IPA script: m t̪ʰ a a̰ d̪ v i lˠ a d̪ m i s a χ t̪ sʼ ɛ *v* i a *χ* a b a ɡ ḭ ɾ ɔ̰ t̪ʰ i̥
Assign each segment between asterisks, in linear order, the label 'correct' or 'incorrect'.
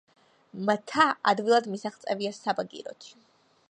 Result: correct, incorrect

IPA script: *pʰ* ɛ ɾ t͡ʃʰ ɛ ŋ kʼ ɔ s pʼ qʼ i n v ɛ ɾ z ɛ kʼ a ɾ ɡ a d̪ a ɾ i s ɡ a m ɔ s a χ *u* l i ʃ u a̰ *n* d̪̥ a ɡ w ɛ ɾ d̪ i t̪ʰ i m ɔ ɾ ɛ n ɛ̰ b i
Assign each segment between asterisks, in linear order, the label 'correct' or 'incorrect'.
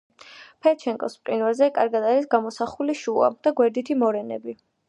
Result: correct, correct, incorrect

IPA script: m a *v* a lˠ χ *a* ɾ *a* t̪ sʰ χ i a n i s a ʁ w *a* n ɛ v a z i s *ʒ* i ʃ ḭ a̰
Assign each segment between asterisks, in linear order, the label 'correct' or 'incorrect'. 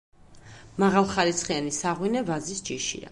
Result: incorrect, correct, incorrect, incorrect, incorrect

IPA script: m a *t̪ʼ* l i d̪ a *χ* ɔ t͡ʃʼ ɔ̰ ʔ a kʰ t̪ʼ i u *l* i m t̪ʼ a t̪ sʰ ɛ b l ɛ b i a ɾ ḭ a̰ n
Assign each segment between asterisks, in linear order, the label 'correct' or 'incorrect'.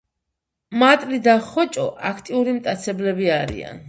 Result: correct, correct, incorrect

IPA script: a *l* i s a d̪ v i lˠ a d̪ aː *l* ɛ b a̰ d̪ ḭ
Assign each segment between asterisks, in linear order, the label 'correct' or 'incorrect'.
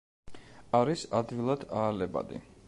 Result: incorrect, correct

